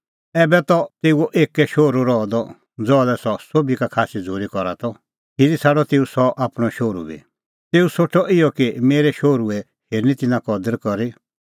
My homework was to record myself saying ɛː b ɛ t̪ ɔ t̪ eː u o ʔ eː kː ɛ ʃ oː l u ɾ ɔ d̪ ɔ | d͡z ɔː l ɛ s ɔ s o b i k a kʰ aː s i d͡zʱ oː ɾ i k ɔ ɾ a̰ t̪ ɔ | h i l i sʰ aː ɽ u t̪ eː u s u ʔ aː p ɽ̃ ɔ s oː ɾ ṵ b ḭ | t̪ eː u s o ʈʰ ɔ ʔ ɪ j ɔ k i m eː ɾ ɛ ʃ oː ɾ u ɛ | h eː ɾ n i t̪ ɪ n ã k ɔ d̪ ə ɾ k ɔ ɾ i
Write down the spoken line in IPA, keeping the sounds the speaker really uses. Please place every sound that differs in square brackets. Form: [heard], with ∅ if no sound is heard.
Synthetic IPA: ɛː b ɛ t̪ ɔ t̪ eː u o ʔ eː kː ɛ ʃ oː [ɾ] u ɾ ɔ d̪ ɔ | d͡z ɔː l ɛ s ɔ s o b i k a kʰ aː s i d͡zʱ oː ɾ i k ɔ ɾ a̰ t̪ ɔ | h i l i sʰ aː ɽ [ɔ] t̪ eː u s [ɔ] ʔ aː p ɽ̃ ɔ [ʃ] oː ɾ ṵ b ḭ | t̪ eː u s o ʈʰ ɔ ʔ ɪ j ɔ k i m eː ɾ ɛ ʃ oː ɾ u ɛ | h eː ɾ n i t̪ ɪ n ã k ɔ d̪ ə ɾ k ɔ ɾ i

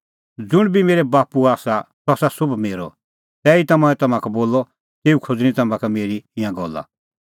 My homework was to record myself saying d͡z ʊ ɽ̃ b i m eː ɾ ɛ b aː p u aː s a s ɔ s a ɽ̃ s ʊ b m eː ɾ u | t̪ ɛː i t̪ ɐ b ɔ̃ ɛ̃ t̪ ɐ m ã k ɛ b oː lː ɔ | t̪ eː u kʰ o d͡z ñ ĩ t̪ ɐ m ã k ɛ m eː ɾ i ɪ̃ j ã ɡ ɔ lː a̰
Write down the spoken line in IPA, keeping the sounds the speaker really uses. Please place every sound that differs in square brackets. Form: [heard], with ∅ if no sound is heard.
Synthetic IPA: d͡z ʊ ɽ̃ b i m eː ɾ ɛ b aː p u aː s a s ɔ s a [∅] s ʊ b m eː ɾ [ɔ] | t̪ ɛː i t̪ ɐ [m] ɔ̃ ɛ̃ t̪ ɐ m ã k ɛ b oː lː ɔ | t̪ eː u kʰ o d͡z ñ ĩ t̪ ɐ m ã k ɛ m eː ɾ i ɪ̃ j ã ɡ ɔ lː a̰

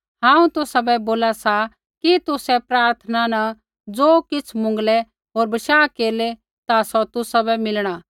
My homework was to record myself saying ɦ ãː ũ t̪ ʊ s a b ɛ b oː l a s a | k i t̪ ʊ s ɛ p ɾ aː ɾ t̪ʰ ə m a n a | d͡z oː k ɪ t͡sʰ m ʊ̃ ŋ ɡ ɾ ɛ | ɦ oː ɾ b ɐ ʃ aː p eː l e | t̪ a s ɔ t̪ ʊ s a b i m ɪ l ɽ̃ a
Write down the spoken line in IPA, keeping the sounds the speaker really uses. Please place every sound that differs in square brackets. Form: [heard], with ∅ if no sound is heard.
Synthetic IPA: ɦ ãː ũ t̪ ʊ s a b ɛ b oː l a s a | k i t̪ ʊ s ɛ p ɾ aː ɾ t̪ʰ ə [n] a n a | d͡z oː k ɪ t͡sʰ m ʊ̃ ŋ ɡ [l] ɛ | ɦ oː ɾ b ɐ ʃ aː [k] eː l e | t̪ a s ɔ t̪ ʊ s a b [ɛ] m ɪ l ɽ̃ a

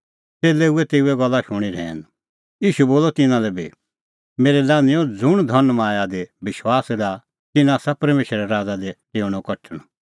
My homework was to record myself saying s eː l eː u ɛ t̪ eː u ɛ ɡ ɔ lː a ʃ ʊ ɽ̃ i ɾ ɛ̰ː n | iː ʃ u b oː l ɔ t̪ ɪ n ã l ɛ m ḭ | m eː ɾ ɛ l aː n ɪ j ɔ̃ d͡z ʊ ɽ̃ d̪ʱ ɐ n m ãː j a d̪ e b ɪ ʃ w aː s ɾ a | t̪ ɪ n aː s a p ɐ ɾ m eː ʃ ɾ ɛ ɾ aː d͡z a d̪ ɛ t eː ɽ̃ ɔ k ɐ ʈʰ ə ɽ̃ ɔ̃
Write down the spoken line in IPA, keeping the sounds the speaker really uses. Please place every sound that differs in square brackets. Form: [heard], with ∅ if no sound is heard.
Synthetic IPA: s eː l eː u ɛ t̪ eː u ɛ ɡ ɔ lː a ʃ ʊ ɽ̃ i ɾ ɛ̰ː n | iː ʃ u b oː l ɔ t̪ ɪ n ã l ɛ [b] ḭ | m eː ɾ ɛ l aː n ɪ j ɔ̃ d͡z ʊ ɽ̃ d̪ʱ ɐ n m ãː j a d̪ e b ɪ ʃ w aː s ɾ a | t̪ ɪ n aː s a p ɐ ɾ m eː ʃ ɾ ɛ ɾ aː d͡z a d̪ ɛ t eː ɽ̃ ɔ k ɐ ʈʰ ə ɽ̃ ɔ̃

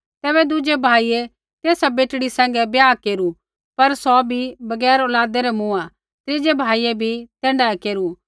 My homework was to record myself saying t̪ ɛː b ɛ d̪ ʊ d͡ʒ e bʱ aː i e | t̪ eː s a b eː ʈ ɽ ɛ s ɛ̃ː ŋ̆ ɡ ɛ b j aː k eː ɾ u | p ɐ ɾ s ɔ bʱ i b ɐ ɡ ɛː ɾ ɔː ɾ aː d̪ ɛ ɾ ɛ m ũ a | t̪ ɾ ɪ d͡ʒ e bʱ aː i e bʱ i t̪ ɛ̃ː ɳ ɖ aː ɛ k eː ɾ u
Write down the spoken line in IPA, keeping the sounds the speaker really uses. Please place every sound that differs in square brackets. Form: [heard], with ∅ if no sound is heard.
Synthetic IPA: t̪ ɛː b ɛ d̪ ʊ d͡ʒ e bʱ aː i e | t̪ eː s a b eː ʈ ɽ [i] s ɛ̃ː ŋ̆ ɡ ɛ b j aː k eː ɾ u | p ɐ ɾ s ɔ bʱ i b ɐ ɡ ɛː ɾ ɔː [l] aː d̪ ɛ ɾ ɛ m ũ a | t̪ ɾ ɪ d͡ʒ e bʱ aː i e bʱ i t̪ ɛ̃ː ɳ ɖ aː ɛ k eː ɾ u

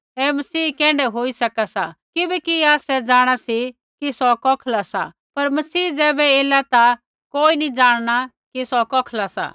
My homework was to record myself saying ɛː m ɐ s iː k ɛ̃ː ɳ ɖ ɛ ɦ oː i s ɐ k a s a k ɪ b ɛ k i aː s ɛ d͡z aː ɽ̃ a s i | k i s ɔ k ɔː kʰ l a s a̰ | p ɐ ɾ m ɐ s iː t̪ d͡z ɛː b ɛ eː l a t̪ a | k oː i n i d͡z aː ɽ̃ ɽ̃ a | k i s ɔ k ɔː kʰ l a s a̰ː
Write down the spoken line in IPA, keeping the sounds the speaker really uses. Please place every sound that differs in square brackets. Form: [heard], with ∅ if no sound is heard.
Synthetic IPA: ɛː m ɐ s iː k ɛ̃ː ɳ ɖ ɛ ɦ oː i s ɐ k a s a k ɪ b ɛ k i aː s ɛ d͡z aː ɽ̃ a s i | k i s ɔ k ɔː kʰ l a s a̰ | p ɐ ɾ m ɐ s iː [∅] d͡z ɛː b ɛ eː l a t̪ a | k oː i n i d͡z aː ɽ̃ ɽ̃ a | k i s ɔ k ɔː kʰ l a s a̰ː

